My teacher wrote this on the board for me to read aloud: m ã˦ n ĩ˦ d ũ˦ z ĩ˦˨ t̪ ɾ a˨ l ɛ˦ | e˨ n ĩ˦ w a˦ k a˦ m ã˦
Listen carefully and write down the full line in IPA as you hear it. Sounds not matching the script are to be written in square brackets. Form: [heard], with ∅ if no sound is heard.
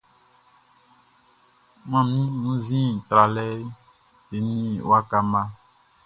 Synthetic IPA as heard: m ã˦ [m] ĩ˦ [n] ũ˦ z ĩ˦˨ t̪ ɾ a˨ l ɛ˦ | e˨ n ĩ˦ w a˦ k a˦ m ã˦

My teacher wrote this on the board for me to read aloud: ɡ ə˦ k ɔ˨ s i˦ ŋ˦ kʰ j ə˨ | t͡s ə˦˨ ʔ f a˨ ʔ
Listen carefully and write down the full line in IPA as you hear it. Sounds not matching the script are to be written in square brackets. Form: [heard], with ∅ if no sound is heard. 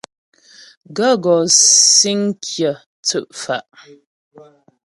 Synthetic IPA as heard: ɡ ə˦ [ɡ] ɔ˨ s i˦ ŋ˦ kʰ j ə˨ | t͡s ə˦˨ ʔ f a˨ ʔ

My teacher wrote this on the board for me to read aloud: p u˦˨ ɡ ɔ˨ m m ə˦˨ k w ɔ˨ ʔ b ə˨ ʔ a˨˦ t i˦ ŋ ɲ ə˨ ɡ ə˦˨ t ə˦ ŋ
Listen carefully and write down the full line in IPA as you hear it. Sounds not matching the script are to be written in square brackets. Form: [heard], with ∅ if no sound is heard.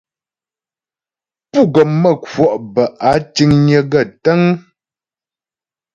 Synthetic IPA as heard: p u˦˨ ɡ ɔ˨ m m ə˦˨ k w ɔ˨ ʔ b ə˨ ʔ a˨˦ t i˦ ŋ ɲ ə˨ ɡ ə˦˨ t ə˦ ŋ

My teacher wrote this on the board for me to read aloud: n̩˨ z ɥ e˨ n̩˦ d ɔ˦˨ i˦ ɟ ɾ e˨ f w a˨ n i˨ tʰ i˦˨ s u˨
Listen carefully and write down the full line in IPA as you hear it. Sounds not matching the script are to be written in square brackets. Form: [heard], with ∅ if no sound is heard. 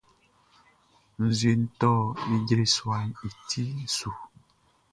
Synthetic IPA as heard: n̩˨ z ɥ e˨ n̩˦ [t] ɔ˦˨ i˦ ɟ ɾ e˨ [s] w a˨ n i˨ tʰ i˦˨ s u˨

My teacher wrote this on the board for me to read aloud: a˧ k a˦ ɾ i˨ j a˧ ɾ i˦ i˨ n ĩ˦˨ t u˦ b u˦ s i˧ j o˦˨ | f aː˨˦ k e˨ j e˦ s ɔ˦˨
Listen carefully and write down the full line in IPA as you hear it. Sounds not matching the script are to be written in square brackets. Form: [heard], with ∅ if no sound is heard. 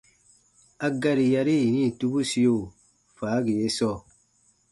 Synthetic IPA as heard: a˧ [ɡ] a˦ ɾ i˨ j a˧ ɾ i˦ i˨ n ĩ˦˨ t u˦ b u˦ s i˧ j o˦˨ | f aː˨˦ [ɡ] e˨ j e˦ s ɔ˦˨

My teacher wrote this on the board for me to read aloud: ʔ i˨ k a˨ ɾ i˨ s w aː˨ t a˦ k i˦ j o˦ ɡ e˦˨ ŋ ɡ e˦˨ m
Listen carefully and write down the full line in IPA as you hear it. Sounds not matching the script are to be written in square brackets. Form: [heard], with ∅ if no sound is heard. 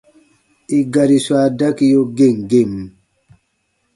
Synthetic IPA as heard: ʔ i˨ [ɡ] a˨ ɾ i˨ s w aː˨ [d] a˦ k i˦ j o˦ ɡ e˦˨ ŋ ɡ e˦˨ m

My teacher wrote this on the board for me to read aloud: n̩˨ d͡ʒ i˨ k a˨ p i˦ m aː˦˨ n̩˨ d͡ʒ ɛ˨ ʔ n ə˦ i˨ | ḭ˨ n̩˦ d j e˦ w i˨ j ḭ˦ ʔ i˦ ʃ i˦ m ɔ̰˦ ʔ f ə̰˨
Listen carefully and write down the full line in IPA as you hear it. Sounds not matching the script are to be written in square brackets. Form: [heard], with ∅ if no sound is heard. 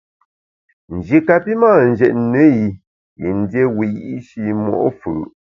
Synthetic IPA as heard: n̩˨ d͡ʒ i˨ k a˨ p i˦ m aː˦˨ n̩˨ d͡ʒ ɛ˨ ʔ n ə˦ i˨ | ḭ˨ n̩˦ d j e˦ w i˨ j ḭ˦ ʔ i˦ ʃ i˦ m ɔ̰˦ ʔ f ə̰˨

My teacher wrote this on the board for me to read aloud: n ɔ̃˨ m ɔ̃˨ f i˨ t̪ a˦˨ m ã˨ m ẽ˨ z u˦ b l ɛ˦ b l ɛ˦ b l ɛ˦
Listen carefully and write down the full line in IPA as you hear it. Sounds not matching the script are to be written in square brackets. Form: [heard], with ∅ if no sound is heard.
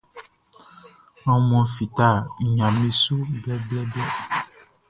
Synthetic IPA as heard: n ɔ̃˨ m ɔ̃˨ f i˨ t̪ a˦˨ [ɲ] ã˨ m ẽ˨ [s] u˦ b l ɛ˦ b l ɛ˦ b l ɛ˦

